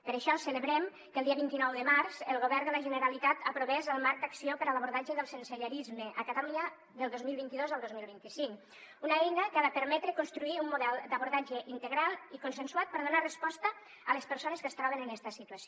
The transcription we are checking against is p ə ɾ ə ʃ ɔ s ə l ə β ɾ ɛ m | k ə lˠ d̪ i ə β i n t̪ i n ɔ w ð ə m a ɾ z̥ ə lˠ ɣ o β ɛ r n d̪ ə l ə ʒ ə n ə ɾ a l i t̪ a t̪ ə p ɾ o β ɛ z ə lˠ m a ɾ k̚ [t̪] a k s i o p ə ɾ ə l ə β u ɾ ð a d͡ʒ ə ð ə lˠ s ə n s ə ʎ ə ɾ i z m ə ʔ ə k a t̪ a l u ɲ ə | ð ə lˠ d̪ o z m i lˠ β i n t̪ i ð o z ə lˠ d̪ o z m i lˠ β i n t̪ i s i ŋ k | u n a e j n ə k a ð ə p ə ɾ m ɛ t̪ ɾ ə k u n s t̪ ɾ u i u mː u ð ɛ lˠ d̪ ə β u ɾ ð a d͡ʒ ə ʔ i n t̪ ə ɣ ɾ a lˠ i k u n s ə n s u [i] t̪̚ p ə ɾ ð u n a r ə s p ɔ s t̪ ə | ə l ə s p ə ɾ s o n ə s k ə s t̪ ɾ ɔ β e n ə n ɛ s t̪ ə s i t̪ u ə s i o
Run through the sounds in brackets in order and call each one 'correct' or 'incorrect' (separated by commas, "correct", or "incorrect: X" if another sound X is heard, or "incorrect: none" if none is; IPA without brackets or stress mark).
incorrect: d̪, incorrect: a